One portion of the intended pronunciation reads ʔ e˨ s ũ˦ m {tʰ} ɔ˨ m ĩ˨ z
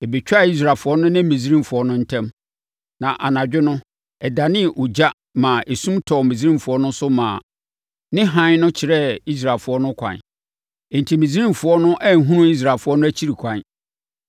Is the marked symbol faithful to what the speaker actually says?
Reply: yes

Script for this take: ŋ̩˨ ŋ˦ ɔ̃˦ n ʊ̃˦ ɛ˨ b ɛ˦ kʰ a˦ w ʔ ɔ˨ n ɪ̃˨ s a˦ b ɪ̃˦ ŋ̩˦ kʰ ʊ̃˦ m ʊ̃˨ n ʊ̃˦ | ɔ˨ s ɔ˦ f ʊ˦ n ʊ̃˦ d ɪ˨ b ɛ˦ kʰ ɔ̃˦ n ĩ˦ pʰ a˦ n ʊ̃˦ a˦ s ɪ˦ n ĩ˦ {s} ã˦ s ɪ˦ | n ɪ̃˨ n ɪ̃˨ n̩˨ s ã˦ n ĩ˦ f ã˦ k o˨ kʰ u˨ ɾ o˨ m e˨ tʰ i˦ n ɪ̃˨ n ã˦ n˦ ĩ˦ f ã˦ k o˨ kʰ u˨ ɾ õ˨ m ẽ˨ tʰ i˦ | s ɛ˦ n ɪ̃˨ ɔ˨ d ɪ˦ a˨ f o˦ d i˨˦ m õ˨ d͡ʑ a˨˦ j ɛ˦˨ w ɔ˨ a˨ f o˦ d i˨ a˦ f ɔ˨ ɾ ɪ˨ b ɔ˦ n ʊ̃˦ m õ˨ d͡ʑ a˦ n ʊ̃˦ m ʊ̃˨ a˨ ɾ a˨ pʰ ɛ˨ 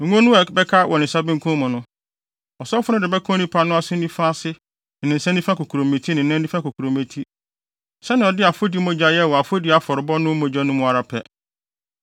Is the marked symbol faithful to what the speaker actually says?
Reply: no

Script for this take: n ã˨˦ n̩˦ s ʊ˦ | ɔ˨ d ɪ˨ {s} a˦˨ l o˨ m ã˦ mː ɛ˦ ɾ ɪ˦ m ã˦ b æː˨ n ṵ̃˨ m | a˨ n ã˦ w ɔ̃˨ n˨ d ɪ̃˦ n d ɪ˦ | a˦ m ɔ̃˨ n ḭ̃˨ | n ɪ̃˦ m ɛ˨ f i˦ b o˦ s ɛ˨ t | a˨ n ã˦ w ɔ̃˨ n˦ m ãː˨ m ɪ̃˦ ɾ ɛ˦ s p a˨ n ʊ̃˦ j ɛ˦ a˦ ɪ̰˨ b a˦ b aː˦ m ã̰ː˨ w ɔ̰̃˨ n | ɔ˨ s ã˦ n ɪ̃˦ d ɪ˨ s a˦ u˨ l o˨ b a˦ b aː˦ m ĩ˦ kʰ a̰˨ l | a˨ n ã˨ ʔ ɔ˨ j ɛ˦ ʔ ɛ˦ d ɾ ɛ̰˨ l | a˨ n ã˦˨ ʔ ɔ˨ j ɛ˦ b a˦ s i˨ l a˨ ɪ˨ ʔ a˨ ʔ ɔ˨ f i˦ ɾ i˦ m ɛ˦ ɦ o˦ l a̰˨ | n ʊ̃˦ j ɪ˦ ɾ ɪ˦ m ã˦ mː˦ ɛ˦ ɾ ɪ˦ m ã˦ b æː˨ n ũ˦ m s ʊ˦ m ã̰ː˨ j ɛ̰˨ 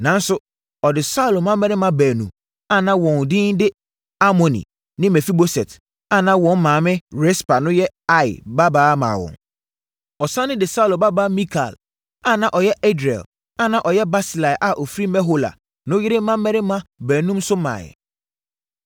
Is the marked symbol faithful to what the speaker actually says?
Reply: yes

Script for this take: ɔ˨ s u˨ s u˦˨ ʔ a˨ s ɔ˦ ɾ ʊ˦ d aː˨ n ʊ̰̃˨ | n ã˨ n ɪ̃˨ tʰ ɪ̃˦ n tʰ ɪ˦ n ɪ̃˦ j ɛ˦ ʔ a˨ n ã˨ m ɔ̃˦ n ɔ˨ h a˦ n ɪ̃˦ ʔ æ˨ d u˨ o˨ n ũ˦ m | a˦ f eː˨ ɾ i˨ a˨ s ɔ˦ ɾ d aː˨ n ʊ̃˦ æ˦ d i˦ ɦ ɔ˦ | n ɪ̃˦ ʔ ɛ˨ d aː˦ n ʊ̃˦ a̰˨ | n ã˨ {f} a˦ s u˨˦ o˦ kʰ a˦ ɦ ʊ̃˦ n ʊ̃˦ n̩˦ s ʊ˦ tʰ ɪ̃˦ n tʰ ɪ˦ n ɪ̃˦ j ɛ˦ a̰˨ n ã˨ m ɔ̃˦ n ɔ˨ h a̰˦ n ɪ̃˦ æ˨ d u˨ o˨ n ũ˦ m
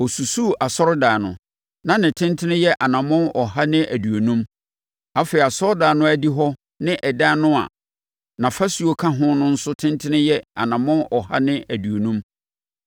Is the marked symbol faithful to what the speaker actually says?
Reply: yes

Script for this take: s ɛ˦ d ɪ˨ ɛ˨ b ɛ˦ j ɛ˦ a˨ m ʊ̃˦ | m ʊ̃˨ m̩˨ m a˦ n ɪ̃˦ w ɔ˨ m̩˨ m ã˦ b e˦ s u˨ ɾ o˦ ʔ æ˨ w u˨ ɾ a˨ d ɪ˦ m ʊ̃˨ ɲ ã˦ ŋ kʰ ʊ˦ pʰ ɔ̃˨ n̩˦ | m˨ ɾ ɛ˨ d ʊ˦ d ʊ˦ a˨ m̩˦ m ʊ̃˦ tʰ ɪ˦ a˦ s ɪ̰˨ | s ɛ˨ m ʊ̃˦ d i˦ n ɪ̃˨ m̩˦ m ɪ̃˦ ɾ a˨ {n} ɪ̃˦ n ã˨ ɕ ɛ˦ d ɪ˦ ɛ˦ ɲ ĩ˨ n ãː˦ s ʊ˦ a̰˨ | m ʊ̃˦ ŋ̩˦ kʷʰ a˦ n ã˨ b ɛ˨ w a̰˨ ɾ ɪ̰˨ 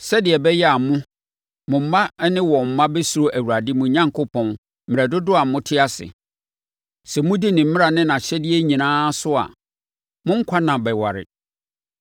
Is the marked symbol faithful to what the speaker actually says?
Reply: yes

